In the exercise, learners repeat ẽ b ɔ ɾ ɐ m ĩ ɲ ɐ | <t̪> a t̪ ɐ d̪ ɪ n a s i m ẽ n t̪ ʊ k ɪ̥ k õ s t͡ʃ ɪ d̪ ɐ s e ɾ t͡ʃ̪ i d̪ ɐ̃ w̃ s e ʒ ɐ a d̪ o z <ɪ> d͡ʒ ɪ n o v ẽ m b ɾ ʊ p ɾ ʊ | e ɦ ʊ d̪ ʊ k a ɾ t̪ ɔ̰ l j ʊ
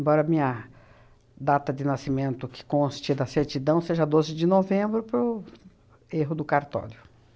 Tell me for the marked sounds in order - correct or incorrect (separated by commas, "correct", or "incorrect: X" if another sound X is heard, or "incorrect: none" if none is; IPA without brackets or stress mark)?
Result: incorrect: d̪, correct